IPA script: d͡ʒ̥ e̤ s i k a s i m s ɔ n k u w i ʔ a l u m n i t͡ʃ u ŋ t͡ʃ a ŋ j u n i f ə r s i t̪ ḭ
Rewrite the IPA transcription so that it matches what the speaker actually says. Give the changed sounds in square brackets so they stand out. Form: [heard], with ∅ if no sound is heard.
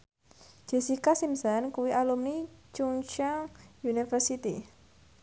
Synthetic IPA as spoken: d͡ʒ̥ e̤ s i k a s i m s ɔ n k u w i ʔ a l u m n i t͡ʃ u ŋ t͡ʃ a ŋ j u n i f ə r s i t̪ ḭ